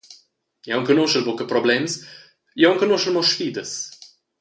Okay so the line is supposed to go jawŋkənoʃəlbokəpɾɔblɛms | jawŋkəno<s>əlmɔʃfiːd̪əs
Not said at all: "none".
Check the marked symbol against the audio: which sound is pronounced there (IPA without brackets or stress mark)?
ʃ